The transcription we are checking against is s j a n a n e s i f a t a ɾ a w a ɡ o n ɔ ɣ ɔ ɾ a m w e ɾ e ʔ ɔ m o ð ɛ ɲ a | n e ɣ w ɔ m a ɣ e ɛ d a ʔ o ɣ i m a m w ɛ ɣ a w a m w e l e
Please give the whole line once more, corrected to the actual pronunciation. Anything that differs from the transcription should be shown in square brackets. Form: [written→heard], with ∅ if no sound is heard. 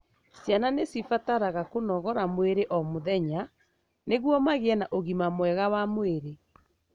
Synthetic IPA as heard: s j a n a n e s i f a t a ɾ a [w→ɣ] a [ɡ→k] o n ɔ ɣ ɔ ɾ a m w e ɾ e ʔ ɔ m o ð ɛ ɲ a | n e ɣ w ɔ m a ɣ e ɛ [d→n] a ʔ o ɣ i m a m w ɛ ɣ a w a m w e [l→ɾ] e